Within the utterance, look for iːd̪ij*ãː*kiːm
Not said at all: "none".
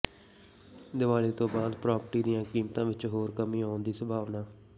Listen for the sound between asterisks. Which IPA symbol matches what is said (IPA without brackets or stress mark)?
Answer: ãː